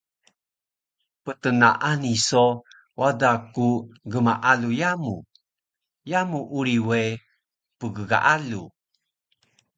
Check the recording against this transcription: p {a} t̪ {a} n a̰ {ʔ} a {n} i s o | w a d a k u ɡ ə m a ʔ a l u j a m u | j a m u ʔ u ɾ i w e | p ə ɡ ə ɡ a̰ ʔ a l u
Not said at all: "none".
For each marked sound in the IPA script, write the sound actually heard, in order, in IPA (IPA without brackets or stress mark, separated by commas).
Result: ə, ə, ʔ, n